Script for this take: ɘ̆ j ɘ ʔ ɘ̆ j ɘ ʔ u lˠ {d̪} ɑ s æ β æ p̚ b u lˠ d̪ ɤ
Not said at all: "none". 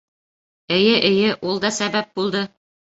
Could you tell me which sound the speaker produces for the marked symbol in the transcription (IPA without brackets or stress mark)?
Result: d̪